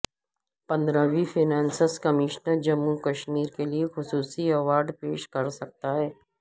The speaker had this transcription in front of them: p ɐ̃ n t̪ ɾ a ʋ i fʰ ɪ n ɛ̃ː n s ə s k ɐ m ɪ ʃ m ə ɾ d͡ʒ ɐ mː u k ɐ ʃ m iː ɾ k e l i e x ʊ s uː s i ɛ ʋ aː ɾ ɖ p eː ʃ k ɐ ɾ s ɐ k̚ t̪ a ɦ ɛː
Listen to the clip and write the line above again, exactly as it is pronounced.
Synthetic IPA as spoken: p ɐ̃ n d̪ ɾ a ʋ i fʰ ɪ n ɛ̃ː n s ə s k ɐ m ɪ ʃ n ə ɾ d͡ʒ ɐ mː u k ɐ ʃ m iː ɾ k e l i e x ʊ s uː s i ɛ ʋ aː ɾ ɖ p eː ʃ k ɐ ɾ s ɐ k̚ t̪ a ɦ ɛː